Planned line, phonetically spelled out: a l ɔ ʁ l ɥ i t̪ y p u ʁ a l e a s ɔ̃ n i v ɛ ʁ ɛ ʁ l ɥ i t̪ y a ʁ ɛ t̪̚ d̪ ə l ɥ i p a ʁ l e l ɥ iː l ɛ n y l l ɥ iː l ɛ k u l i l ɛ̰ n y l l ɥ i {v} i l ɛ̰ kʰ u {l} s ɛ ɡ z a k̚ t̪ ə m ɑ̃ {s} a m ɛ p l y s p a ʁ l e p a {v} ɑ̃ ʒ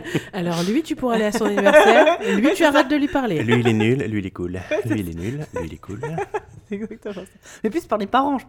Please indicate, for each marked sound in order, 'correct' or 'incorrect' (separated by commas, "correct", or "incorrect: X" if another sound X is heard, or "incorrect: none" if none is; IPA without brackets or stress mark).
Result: incorrect: none, correct, correct, incorrect: ʁ